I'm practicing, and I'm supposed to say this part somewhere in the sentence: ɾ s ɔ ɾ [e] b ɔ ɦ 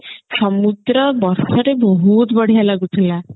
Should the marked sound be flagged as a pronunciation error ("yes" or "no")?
no